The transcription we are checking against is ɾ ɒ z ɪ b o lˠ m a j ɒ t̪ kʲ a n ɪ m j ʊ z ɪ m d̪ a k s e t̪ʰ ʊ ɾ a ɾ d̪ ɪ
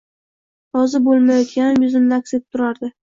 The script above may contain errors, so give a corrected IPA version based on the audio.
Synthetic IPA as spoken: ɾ ɒ z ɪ b o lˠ m a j ɒ t̪ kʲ a n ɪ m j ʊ z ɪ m d̪ a k s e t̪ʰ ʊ ɾ a ɾ d̪ ɪ